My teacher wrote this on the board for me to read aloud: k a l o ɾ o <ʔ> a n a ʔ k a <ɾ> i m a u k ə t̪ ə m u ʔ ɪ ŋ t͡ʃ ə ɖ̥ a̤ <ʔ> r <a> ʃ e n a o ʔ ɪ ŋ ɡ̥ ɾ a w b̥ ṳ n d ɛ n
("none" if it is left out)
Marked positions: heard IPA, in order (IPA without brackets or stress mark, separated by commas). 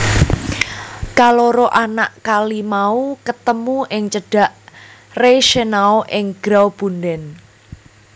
ʔ, l, ʔ, e